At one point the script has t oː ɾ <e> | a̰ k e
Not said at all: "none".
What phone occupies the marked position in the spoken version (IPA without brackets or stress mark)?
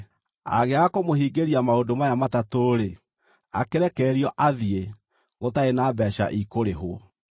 e